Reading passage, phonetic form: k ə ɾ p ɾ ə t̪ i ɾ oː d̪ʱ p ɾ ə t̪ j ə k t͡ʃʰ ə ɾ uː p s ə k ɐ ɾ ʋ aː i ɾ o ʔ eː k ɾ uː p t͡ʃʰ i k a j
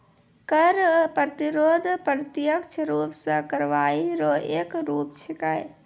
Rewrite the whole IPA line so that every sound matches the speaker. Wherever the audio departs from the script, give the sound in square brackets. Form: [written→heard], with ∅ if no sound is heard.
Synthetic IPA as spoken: k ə ɾ p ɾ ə t̪ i ɾ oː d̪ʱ p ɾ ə t̪ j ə k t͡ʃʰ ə ɾ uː p s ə k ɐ ɾ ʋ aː i ɾ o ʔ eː k ɾ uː p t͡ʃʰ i k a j